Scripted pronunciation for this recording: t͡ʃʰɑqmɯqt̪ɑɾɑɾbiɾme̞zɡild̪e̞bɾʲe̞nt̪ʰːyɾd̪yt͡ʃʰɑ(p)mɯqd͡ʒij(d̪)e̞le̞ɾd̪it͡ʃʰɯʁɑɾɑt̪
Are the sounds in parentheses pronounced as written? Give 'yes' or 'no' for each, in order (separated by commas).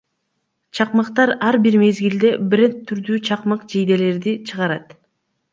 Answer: no, yes